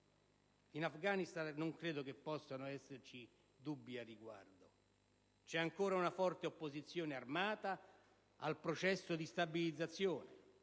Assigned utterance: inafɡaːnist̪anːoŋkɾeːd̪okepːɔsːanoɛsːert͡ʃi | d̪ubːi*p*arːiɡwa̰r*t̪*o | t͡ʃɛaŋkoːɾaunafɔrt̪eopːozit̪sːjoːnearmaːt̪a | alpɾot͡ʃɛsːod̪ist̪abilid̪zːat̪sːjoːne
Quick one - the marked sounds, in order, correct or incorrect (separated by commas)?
incorrect, incorrect